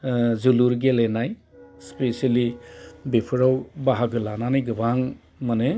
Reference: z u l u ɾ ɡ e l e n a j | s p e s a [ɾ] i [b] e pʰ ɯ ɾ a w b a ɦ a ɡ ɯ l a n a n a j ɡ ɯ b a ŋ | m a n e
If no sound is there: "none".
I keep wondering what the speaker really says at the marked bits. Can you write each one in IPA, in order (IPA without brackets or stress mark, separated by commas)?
l, b